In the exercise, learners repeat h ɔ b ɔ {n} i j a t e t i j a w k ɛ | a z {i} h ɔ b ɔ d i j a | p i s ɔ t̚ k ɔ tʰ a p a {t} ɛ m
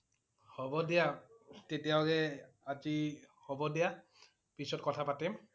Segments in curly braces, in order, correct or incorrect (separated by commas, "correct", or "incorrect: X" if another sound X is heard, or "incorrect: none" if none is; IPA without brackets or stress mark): incorrect: d, correct, correct